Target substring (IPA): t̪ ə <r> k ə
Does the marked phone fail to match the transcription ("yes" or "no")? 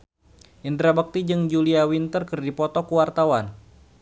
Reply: no